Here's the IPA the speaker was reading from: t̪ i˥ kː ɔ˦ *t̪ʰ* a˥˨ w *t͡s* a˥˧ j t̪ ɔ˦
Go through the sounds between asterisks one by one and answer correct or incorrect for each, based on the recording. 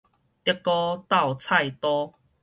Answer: incorrect: t̪, incorrect: t͡sʰ

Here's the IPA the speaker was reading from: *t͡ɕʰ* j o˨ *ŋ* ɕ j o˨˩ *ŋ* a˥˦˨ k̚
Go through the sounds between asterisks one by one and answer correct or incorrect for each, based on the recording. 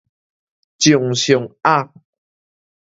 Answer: incorrect: t͡ɕ, correct, correct

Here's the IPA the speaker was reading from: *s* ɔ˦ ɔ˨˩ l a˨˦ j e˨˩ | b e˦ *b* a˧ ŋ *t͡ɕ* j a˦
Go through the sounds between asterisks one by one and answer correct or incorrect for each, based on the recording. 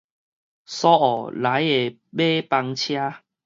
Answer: correct, incorrect: p, incorrect: t͡ɕʰ

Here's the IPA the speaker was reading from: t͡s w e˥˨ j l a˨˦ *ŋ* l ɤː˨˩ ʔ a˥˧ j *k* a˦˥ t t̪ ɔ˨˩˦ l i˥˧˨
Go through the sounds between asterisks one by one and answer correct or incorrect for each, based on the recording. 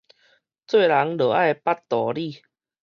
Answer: correct, incorrect: p

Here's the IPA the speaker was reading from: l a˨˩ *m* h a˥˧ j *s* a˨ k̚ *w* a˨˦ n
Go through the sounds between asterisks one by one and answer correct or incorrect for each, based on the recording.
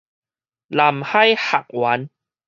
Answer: correct, incorrect: h, correct

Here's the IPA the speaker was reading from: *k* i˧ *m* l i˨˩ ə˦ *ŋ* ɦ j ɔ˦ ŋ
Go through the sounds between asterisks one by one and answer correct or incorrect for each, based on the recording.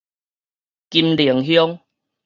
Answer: correct, correct, correct

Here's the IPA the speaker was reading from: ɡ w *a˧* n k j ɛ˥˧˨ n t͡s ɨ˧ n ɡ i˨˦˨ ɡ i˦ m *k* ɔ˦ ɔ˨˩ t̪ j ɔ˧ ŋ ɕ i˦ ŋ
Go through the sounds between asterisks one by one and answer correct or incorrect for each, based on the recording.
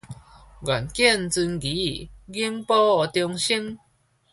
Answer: incorrect: a˨˩, incorrect: p

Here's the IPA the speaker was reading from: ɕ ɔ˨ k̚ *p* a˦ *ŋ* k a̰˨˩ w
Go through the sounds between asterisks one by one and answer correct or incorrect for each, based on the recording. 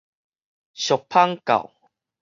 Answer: incorrect: pʰ, correct

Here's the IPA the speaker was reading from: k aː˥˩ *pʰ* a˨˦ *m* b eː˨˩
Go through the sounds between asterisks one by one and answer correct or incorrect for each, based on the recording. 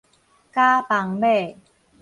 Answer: incorrect: p, incorrect: ŋ

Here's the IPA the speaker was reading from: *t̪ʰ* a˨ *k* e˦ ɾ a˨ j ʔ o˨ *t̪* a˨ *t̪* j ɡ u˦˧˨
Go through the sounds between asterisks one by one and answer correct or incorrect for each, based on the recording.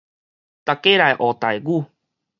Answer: incorrect: t̪, correct, correct, incorrect: none

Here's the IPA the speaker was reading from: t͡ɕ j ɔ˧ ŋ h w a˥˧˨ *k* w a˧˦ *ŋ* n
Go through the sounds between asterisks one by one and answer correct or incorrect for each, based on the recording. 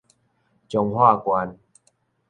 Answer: correct, incorrect: none

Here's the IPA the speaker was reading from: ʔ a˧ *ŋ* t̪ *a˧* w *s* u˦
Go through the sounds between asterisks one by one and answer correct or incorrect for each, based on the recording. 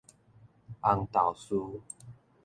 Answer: correct, incorrect: a˨˩, correct

